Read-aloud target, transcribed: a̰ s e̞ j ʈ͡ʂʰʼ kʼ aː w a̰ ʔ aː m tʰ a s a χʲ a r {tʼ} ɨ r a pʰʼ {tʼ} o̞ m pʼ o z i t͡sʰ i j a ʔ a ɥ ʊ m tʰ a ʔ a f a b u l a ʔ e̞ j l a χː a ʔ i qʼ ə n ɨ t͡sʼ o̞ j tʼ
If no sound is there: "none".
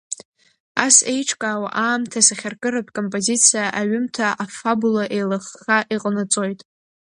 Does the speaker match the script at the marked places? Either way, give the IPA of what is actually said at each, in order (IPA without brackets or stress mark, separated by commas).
kʼ, kʼ